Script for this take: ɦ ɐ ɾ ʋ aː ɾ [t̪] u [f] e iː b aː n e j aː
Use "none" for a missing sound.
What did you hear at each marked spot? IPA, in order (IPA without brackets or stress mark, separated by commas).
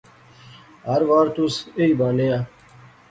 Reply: t̪, s